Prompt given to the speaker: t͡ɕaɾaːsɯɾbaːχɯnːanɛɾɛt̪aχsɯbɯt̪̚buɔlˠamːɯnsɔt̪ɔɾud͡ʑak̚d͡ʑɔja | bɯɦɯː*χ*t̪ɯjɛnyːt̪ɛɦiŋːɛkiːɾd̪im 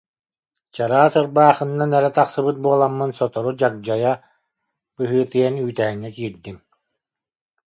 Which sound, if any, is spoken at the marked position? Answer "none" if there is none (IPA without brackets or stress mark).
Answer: none